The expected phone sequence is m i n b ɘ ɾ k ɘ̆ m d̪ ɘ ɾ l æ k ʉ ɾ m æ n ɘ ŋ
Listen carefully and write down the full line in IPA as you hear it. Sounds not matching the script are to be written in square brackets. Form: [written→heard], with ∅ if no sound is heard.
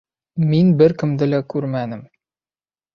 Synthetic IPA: m i n b ɘ ɾ k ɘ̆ m d̪ ɘ [ɾ→∅] l æ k ʉ ɾ m æ n ɘ [ŋ→m]